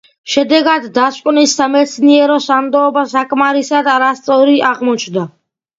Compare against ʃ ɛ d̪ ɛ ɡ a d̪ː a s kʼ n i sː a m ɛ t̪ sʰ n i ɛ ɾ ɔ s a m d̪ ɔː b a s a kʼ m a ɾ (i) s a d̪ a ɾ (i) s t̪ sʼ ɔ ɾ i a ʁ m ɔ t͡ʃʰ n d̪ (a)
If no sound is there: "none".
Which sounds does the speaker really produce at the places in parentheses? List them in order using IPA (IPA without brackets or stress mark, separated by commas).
i, a, a